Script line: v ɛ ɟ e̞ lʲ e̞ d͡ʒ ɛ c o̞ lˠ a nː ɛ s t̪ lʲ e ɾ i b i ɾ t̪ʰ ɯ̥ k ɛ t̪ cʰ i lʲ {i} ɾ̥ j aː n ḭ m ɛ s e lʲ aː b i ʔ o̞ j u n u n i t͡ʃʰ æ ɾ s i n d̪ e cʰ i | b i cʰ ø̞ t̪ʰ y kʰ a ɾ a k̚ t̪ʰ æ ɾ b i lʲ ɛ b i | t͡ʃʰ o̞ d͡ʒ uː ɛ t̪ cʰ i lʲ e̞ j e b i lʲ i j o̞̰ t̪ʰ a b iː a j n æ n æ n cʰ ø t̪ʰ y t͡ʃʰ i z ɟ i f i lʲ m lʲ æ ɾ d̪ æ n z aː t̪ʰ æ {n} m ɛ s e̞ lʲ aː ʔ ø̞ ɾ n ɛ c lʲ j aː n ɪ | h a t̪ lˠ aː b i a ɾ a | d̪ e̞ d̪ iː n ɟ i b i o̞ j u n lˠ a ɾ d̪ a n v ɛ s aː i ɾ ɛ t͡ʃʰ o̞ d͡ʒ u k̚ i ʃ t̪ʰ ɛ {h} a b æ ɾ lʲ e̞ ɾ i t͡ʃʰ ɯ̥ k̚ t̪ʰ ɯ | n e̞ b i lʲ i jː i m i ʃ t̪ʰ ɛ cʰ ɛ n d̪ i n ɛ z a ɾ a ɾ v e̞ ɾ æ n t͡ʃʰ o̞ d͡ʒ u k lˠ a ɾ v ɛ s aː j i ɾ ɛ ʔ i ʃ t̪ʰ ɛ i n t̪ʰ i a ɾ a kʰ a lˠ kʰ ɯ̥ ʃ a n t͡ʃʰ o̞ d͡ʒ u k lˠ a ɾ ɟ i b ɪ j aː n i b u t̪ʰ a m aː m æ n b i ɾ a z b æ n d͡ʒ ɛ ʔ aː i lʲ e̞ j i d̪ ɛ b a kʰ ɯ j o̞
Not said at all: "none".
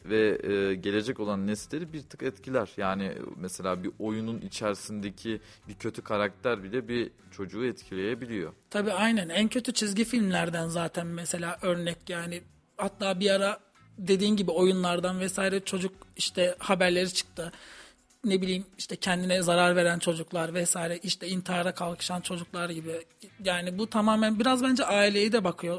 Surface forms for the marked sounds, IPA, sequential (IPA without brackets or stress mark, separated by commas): æ, n, h